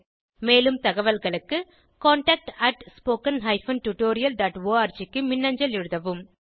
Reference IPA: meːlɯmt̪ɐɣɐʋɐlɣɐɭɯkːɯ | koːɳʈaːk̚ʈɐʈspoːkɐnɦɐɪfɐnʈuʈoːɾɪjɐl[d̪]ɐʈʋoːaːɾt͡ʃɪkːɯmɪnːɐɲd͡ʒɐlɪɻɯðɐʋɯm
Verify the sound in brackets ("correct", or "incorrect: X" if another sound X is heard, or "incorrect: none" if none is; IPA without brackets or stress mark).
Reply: correct